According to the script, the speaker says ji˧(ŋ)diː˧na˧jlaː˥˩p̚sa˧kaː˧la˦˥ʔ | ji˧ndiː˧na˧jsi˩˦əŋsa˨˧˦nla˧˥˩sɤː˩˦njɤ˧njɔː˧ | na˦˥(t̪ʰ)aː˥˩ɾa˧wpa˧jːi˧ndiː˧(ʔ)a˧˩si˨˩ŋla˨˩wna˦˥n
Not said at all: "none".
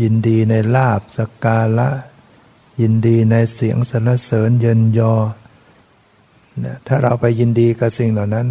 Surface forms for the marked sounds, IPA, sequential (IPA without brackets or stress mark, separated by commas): n, t̪ʰ, k